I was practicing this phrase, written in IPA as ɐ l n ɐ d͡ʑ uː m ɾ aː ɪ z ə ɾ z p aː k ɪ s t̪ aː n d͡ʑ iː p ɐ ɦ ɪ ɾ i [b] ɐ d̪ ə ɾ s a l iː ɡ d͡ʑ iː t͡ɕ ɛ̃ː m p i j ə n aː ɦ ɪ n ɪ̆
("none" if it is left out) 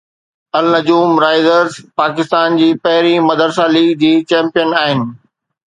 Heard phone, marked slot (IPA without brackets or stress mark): m